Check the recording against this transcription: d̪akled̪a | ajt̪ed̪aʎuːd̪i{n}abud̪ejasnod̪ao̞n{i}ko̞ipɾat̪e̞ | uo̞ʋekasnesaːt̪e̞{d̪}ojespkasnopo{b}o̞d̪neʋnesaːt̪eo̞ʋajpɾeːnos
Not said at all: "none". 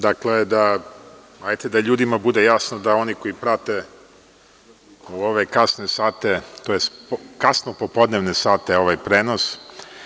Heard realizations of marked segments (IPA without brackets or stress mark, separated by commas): m, i, t̪, p